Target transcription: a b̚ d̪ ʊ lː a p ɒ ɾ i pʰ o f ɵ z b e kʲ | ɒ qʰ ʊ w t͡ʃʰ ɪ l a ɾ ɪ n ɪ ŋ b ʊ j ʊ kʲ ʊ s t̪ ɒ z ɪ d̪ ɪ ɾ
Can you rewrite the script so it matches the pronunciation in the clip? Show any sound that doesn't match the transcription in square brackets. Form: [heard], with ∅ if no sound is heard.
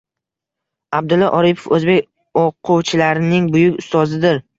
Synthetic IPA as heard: a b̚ d̪ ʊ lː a [ʔ] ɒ ɾ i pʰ o f ɵ z b e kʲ | [o] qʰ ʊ w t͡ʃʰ ɪ l a ɾ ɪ n ɪ ŋ b ʊ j ʊ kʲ ʊ s t̪ ɒ z ɪ d̪ ɪ ɾ